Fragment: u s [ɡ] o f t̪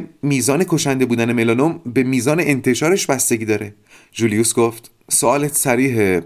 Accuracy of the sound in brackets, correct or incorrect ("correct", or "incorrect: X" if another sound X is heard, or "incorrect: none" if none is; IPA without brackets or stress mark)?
correct